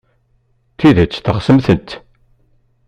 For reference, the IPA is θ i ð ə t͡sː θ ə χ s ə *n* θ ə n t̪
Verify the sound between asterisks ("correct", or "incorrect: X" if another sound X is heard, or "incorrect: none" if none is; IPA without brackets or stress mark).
incorrect: m